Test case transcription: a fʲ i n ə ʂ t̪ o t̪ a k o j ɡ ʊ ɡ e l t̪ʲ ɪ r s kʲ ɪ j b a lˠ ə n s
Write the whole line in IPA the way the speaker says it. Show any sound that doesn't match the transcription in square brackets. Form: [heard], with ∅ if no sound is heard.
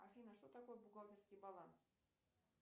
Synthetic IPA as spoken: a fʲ i n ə ʂ t̪ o t̪ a k o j [b] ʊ ɡ [a] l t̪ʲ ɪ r s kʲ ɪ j b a lˠ [a] n s